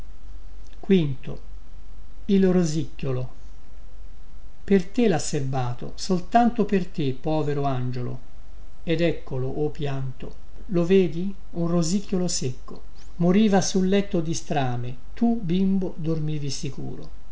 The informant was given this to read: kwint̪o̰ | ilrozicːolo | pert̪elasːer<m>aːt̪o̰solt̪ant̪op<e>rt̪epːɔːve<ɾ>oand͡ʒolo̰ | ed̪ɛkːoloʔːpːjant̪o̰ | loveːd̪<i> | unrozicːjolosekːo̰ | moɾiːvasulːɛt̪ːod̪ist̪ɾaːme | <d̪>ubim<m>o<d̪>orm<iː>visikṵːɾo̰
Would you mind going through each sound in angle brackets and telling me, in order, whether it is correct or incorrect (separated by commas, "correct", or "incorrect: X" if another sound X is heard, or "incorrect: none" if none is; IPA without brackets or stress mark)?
incorrect: b, correct, correct, correct, incorrect: t̪, incorrect: b, correct, correct